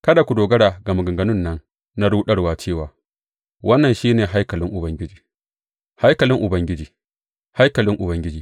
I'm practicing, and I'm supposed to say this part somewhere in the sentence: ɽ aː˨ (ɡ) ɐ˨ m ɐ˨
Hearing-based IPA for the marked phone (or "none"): ɡ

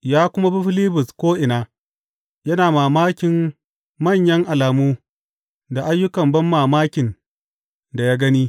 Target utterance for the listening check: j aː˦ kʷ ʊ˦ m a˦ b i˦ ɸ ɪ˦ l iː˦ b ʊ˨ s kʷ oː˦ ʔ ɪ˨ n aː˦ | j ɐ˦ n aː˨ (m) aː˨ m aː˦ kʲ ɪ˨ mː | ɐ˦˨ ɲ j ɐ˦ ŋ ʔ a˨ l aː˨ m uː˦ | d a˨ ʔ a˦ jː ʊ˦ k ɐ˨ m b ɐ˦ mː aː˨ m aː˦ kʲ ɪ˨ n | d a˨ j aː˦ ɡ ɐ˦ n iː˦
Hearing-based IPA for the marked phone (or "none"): m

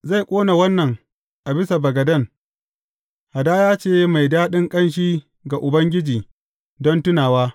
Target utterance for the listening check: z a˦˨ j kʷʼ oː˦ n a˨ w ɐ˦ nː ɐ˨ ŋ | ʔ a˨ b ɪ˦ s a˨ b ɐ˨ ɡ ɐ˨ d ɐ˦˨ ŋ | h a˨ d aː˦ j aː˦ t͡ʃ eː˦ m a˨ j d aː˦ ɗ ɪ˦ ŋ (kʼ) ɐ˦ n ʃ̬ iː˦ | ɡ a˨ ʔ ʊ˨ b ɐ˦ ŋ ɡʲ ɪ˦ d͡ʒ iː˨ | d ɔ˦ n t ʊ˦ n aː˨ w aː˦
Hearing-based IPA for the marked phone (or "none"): kʼ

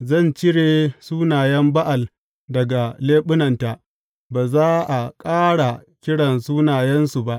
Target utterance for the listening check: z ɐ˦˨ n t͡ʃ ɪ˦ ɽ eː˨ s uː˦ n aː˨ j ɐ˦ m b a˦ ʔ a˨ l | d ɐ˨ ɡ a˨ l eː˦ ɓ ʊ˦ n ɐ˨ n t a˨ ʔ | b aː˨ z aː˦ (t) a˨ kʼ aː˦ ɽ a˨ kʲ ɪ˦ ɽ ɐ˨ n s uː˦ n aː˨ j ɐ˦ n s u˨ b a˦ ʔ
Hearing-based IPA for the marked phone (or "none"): ʔ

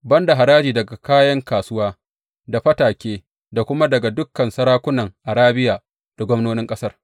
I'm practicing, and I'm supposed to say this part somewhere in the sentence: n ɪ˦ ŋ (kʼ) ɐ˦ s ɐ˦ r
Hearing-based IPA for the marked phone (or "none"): kʼ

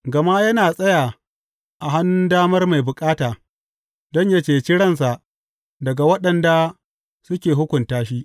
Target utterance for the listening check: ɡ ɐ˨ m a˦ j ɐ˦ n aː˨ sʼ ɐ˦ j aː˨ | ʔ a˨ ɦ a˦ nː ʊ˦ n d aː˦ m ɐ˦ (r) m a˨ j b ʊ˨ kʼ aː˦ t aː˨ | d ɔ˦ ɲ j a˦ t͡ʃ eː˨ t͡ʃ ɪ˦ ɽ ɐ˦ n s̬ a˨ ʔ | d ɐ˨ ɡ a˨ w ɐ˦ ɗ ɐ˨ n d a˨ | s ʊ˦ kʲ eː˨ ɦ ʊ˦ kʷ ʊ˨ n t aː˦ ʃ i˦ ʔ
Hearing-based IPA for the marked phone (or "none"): r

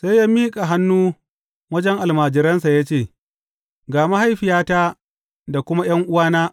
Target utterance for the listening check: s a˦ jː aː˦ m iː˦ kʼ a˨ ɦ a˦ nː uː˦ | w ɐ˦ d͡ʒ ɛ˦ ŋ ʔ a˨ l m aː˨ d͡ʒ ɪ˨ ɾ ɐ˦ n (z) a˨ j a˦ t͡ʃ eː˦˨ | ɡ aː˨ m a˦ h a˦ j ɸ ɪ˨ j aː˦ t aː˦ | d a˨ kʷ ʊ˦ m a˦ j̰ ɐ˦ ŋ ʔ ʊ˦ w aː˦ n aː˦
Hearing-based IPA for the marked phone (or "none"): s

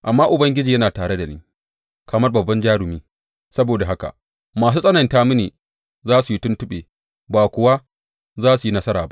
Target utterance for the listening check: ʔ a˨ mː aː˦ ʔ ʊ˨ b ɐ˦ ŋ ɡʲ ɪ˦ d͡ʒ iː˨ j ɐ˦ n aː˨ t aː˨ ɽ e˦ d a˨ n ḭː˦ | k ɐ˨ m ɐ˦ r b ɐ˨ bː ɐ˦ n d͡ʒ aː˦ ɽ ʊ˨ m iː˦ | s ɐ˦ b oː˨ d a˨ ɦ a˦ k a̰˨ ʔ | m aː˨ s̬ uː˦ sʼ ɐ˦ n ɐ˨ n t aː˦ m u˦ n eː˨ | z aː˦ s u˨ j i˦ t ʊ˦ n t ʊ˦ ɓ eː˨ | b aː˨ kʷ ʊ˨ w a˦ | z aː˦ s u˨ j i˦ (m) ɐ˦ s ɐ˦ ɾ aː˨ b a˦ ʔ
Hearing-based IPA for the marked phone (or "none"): n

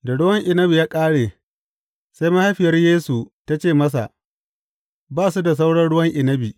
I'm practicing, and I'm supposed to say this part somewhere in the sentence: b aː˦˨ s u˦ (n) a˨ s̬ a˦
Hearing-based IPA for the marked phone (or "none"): d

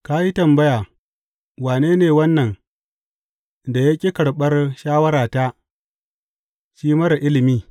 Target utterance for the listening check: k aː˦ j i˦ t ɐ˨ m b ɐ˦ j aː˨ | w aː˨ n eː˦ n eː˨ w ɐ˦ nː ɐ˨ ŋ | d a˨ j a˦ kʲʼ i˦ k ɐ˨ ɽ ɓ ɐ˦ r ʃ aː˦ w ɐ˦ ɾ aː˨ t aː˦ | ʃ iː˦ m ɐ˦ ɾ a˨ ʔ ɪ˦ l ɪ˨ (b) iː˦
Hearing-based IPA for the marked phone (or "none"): m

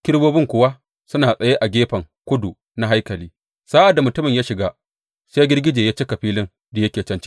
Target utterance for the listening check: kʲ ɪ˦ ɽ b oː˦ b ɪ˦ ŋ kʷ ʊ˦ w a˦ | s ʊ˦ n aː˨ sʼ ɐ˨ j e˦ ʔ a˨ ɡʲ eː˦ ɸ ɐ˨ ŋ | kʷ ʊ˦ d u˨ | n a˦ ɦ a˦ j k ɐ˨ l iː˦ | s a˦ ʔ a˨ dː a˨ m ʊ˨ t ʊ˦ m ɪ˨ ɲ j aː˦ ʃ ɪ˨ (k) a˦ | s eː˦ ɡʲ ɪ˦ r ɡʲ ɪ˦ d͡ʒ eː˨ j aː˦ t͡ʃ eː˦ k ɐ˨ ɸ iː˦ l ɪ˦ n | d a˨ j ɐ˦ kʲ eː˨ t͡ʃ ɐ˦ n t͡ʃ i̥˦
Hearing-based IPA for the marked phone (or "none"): ɡ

